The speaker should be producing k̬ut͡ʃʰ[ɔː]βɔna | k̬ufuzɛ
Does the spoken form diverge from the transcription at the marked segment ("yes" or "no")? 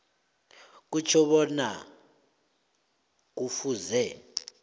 yes